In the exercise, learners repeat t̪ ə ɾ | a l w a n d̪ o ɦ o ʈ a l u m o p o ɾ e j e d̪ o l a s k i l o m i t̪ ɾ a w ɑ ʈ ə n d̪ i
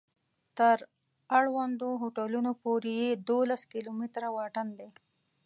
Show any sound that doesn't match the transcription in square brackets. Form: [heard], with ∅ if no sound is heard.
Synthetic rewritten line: t̪ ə ɾ | a [ɽ] w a n d̪ o ɦ o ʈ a l u [n] o p o ɾ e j e d̪ o l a s k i l o m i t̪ ɾ a w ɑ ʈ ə n d̪ [e]